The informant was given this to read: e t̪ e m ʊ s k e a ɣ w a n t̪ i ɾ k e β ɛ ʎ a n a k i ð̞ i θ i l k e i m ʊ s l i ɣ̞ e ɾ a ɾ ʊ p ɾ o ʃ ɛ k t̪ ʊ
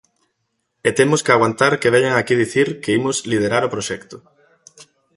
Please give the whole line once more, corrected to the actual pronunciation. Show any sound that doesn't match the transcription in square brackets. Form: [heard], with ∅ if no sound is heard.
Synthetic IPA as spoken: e t̪ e m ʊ s k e a ɣ w a n t̪ [a] ɾ k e β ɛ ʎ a [ŋ] a k i ð̞ i θ i [ɾ] k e i m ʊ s l i [ð̞] e ɾ a ɾ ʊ p ɾ o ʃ ɛ k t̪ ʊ